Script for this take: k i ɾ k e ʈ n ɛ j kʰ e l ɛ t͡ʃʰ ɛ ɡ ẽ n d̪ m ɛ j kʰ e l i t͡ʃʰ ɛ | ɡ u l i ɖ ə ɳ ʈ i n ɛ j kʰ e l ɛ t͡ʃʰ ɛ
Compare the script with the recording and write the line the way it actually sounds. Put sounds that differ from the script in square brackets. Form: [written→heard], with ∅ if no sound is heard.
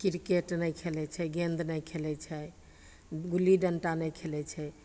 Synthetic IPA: k i ɾ k e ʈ n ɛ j kʰ e l ɛ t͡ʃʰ ɛ ɡ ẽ n d̪ [m→n] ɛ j kʰ e l [i→ɛ] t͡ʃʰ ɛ | ɡ u l i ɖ ə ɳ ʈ [i→a] n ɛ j kʰ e l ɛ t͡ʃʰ ɛ